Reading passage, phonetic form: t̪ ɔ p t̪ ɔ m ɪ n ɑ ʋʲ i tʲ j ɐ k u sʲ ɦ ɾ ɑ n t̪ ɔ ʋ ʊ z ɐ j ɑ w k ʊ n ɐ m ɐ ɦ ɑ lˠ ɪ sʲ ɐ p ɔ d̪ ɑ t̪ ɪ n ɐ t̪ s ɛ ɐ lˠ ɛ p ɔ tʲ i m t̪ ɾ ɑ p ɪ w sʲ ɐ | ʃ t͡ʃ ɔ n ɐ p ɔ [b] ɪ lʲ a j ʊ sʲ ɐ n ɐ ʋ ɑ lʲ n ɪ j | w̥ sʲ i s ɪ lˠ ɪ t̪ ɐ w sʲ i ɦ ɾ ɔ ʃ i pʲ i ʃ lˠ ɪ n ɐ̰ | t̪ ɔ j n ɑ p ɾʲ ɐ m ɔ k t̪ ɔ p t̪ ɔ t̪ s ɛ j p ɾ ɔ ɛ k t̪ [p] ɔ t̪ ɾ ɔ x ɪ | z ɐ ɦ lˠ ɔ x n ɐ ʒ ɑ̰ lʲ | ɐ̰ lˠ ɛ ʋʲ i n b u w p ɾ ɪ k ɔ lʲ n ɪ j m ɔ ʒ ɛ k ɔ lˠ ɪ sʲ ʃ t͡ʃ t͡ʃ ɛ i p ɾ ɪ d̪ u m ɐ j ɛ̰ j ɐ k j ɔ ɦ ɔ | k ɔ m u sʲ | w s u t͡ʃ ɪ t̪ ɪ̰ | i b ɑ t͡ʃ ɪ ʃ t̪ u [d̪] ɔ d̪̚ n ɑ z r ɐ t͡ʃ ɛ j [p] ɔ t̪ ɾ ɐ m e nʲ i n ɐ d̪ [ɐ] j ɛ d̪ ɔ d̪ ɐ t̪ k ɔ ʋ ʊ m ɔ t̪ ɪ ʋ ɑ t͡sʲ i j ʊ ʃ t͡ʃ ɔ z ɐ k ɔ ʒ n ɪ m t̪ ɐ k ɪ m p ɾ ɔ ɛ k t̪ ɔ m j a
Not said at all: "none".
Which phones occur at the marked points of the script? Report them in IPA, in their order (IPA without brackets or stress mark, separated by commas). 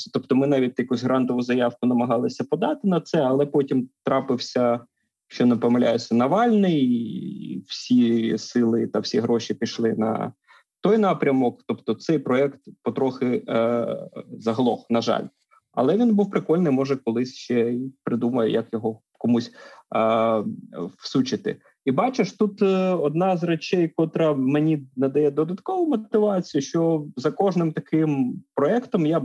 m, p, t̪, k, ɐ